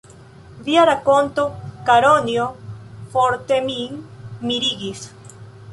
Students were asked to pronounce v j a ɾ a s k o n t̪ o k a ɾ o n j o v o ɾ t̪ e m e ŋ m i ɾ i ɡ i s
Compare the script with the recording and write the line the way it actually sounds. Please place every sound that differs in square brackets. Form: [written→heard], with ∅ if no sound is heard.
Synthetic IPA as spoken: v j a ɾ a [s→∅] k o n t̪ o k a ɾ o n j o [v→f] o ɾ t̪ e m [e→i] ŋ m i ɾ i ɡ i s